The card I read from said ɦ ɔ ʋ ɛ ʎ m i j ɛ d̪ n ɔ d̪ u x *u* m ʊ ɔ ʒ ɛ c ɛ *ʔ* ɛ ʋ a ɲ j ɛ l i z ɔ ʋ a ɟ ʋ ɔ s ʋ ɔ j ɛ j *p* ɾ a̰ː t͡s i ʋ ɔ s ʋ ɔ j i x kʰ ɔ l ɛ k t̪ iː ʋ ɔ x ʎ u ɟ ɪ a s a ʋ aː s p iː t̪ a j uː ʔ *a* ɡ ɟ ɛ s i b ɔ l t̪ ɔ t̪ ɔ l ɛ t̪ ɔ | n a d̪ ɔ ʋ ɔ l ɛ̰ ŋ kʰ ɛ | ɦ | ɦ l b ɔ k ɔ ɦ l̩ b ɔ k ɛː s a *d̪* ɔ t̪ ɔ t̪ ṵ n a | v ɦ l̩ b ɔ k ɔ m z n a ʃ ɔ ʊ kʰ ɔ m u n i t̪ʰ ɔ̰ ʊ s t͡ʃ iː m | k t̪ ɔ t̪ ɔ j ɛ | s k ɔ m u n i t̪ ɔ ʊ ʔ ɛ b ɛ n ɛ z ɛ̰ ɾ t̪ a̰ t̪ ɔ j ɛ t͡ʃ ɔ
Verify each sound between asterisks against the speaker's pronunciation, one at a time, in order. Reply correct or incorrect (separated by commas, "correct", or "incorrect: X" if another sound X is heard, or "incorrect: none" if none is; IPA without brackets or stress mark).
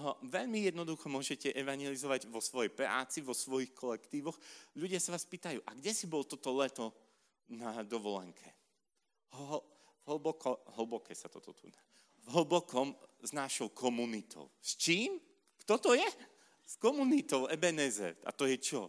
incorrect: ɔ, correct, correct, correct, incorrect: t̪